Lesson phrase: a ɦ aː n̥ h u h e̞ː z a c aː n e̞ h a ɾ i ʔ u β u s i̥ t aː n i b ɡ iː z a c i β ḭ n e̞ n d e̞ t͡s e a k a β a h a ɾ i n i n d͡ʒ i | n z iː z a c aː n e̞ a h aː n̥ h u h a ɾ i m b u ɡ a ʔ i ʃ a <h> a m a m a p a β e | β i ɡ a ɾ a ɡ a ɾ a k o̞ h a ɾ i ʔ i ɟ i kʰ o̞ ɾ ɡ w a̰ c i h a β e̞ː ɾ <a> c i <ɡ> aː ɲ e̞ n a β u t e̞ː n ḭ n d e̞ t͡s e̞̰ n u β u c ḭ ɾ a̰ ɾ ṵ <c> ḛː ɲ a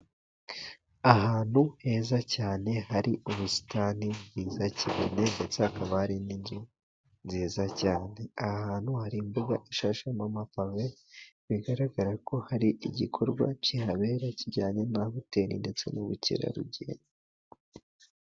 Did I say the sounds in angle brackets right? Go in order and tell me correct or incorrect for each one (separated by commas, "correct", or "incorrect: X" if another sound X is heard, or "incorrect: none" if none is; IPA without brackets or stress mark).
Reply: incorrect: ʃ, correct, incorrect: ɟ, incorrect: ɟ